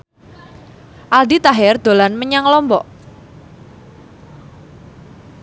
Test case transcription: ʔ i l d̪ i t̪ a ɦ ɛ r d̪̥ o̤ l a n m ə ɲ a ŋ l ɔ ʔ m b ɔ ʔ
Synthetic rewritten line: ʔ a l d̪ i t̪ a ɦ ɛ r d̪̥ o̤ l a n m ə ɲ a ŋ l ɔ m b ɔ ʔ